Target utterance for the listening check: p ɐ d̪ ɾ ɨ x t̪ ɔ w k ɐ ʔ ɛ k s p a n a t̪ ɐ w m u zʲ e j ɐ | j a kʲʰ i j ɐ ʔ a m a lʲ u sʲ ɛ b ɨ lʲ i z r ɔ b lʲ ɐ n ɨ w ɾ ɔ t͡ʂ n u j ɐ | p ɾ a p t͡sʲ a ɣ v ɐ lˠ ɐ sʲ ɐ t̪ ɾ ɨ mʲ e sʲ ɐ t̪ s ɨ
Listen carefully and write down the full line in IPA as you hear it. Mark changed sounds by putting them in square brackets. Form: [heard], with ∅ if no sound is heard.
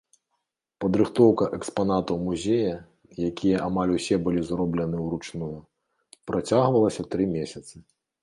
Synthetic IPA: p ɐ d̪ ɾ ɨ x t̪ ɔ w k ɐ ʔ ɛ k s p a n a t̪ ɐ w m u zʲ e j ɐ | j a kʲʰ i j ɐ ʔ a m a lʲ u sʲ ɛ b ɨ lʲ i z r ɔ b lʲ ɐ n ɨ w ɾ [u] t͡ʂ n u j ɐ | p ɾ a [∅] t͡sʲ a ɣ v ɐ lˠ ɐ sʲ ɐ t̪ ɾ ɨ mʲ e sʲ ɐ t̪ s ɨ